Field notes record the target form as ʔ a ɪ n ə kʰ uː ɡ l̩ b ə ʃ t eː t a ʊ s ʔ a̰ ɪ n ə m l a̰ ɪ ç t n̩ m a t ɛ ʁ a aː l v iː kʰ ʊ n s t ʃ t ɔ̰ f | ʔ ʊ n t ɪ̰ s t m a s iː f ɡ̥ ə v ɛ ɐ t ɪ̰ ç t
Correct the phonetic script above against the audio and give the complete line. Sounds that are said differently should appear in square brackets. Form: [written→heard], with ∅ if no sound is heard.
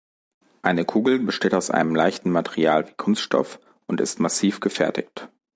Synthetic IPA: ʔ a ɪ n ə kʰ uː ɡ l̩ b ə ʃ t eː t a ʊ s ʔ a̰ ɪ n ə m l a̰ ɪ ç t n̩ m a t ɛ ʁ [a→i] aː l v iː kʰ ʊ n s t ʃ t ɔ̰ f | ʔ ʊ n t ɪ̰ s t m a s iː f ɡ̥ ə [v→f] ɛ ɐ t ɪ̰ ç t